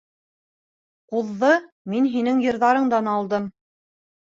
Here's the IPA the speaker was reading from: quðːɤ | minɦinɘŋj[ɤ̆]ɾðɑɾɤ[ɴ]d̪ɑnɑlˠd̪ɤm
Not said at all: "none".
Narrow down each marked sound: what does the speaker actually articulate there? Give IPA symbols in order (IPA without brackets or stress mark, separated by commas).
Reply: ɤ̆, ɴ